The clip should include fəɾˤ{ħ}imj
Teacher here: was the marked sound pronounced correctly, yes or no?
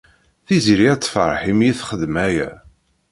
yes